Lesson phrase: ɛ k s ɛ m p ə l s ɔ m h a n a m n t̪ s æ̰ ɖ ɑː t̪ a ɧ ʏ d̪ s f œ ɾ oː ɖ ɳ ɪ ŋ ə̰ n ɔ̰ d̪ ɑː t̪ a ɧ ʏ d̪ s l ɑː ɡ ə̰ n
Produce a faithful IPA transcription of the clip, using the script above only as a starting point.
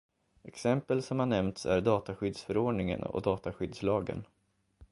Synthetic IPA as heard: ɛ k s ɛ m p ə l s ɔ m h a n ɛ m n t̪ s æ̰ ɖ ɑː t̪ a ɧ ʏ d̪ s f œ ɾ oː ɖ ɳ ɪ ŋ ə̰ n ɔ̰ d̪ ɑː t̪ a ɧ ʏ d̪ s l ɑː ɡ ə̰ n